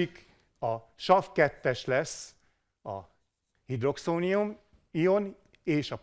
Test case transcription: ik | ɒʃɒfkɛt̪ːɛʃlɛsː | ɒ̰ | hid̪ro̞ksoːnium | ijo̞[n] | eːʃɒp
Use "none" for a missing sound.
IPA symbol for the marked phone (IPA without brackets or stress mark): n